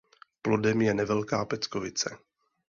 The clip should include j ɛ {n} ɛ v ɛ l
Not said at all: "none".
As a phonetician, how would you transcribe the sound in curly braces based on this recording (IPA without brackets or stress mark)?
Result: n